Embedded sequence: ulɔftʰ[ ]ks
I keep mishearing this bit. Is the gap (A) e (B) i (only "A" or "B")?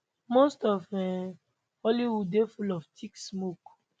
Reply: B